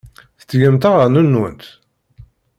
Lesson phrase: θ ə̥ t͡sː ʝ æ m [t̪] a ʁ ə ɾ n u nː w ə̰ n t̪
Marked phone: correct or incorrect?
correct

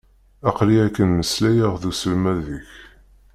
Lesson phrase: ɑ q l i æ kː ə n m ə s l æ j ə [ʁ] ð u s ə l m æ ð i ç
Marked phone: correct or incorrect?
correct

